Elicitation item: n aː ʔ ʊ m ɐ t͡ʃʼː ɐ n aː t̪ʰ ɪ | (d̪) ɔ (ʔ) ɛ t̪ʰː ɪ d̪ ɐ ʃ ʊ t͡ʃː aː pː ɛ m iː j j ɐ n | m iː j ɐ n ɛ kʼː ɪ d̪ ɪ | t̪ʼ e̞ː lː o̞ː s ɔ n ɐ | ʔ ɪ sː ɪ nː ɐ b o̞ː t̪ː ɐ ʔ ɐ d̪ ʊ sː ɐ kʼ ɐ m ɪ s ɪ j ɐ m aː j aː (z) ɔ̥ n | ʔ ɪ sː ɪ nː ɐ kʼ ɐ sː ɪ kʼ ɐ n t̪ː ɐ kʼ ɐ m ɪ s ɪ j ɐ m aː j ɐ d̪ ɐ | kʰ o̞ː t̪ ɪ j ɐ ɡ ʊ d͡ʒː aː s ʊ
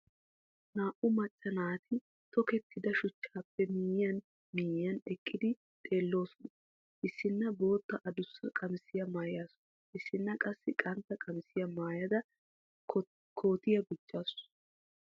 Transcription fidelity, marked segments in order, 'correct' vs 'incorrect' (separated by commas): incorrect, incorrect, incorrect